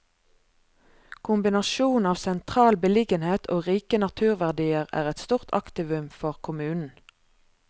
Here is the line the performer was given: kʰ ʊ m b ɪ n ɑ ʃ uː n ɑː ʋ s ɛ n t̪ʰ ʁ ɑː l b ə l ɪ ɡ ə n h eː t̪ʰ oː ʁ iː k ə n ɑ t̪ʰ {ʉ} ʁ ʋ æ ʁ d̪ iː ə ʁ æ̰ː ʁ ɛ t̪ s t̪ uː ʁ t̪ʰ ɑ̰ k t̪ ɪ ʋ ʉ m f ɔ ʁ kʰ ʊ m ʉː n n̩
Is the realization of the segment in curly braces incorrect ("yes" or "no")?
yes